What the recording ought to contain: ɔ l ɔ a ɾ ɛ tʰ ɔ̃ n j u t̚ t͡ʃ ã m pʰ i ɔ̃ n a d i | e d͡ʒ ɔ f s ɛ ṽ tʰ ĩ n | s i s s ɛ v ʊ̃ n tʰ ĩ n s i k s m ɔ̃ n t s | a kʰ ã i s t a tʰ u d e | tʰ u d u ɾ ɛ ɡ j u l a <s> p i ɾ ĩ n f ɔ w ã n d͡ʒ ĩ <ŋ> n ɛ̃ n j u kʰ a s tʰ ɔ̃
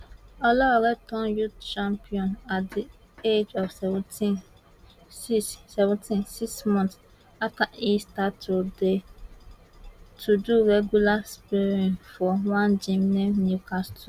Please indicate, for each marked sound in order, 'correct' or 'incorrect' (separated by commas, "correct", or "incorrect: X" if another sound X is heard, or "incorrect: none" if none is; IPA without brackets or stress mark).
correct, incorrect: m